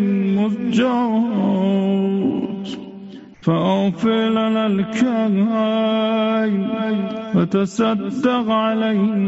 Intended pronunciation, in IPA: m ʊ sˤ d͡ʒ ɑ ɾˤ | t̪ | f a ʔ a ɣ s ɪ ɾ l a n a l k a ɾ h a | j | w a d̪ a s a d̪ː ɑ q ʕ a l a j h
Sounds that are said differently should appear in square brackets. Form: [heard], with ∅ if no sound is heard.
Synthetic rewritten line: m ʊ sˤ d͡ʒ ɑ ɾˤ | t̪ | f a ʔ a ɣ [f] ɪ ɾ l a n a l k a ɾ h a | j | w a [t̪] a s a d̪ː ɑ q ʕ a l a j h